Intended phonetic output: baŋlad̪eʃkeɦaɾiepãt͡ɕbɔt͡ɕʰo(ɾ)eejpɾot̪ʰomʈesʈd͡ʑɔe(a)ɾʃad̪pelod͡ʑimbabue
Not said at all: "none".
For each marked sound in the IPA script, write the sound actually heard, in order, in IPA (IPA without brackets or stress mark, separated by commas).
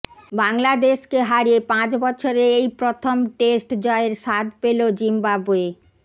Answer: ɾ, e